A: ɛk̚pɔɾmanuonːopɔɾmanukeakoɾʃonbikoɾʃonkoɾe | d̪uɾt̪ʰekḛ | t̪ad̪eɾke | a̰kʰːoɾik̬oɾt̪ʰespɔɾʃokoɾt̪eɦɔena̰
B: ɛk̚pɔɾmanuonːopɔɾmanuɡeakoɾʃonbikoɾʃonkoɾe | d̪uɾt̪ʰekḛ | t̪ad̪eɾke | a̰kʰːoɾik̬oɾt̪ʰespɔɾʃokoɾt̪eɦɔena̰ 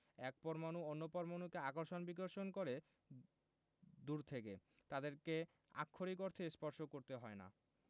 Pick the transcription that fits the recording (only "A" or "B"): A